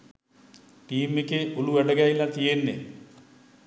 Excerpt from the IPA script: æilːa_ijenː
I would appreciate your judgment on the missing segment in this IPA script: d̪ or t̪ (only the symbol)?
t̪